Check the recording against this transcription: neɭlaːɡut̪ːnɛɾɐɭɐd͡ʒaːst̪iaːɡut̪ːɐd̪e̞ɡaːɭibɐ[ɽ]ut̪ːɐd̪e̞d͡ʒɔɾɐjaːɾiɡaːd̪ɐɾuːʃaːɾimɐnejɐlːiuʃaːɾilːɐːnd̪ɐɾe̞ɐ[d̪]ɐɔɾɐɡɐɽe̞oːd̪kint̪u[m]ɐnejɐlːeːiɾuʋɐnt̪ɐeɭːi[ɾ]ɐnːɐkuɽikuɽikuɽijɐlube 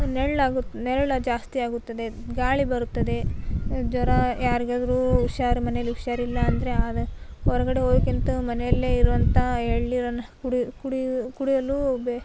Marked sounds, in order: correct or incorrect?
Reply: incorrect: ɾ, correct, correct, correct

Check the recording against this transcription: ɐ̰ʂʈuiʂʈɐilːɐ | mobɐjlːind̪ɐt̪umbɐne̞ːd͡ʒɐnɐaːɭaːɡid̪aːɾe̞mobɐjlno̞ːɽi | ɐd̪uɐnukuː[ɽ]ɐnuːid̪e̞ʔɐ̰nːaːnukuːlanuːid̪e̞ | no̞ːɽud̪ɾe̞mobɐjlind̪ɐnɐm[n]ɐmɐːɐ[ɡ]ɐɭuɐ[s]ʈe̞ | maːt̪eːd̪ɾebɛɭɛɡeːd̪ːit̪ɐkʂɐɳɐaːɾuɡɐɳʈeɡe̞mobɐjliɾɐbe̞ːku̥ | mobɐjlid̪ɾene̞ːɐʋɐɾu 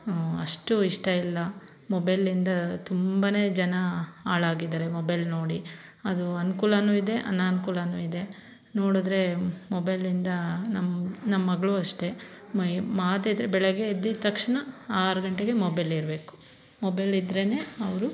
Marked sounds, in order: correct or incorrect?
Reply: incorrect: l, correct, correct, incorrect: ʂ

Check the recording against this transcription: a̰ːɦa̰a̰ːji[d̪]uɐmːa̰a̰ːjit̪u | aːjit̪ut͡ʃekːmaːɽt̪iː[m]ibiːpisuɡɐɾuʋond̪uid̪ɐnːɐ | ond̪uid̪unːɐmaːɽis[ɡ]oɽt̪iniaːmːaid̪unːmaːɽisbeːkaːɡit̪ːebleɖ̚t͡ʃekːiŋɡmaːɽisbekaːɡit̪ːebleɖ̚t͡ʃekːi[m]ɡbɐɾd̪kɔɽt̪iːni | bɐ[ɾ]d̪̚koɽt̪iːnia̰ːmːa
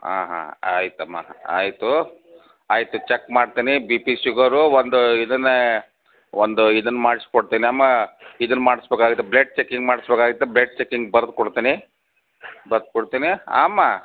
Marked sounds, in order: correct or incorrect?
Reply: incorrect: t̪, incorrect: n, incorrect: k, incorrect: ŋ, correct

